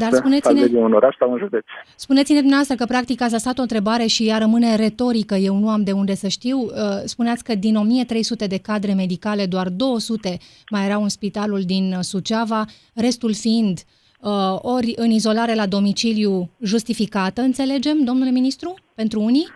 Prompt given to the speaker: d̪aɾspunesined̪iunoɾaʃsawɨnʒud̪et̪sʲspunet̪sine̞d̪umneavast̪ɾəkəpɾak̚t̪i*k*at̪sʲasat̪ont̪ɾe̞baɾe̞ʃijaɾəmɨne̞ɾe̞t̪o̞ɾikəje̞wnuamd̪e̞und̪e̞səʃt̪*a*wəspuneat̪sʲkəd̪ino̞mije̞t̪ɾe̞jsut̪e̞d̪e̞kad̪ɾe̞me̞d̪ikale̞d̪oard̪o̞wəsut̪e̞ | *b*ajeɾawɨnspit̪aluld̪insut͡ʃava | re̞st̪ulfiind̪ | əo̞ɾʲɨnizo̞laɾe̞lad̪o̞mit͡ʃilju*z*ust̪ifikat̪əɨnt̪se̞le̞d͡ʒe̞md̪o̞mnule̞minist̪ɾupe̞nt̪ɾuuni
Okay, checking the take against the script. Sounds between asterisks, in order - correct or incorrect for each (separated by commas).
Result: correct, incorrect, incorrect, incorrect